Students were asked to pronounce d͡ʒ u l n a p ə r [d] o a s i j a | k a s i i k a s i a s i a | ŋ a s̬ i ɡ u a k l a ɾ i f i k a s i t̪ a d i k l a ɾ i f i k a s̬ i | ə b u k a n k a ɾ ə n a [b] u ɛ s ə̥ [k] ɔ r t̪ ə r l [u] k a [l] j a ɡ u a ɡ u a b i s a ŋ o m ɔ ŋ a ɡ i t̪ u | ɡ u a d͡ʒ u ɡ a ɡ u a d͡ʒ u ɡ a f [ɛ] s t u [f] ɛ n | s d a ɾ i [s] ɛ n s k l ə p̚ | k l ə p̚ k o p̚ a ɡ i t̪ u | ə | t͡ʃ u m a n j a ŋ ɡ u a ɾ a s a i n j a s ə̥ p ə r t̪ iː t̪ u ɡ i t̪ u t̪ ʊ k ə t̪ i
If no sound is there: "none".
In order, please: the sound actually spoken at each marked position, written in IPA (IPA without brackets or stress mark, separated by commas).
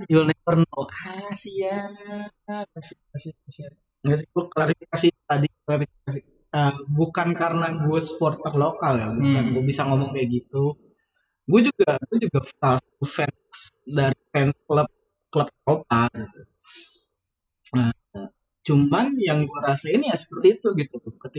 n, ɡ, p, o, l, a, f, f